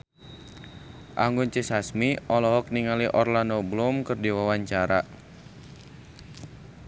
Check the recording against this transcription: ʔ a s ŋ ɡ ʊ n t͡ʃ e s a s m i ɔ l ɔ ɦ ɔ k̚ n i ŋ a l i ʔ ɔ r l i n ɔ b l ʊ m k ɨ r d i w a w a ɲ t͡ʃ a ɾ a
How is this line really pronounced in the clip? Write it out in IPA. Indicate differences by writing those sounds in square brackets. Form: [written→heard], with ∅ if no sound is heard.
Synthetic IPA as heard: ʔ a [s→∅] ŋ ɡ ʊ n t͡ʃ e s a s m i ɔ l ɔ ɦ ɔ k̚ n i ŋ a l i ʔ ɔ r l [i→a] n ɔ b l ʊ m k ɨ r d i w a w a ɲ t͡ʃ a ɾ a